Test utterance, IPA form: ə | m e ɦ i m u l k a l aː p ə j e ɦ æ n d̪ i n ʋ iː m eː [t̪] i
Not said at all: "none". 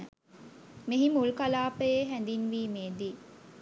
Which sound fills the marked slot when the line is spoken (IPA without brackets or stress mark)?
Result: d̪